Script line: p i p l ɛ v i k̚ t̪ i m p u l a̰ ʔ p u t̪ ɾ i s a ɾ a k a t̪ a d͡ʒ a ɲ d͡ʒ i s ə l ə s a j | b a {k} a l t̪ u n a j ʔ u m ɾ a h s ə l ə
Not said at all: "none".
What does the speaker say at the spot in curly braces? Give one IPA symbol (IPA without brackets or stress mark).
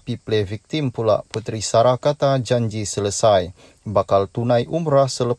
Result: k